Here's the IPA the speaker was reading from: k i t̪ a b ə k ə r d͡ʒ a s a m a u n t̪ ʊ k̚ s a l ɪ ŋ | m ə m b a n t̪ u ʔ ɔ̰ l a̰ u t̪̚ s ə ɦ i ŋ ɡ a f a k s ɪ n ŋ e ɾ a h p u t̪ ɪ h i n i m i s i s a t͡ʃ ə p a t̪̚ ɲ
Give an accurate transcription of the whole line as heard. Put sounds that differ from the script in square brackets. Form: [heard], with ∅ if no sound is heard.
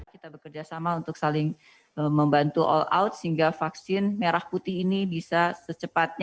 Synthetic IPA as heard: k i t̪ a b ə k ə r d͡ʒ a s a m a u n t̪ ʊ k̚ s a l ɪ ŋ | m ə m b a n t̪ u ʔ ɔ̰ l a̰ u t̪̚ s ə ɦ i ŋ ɡ a f a k s ɪ n [m] e ɾ a h p u t̪ ɪ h i n i [b] i s [a] s [ə] t͡ʃ ə p a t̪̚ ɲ